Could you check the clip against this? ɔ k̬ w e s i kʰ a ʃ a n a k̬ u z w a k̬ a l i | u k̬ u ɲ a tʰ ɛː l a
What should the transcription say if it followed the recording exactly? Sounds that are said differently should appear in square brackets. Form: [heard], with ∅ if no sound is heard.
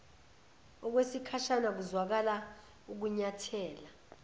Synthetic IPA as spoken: ɔ k̬ w e s i kʰ a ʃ a n a k̬ u z w a k̬ a l [a] | u k̬ u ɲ a tʰ ɛː l a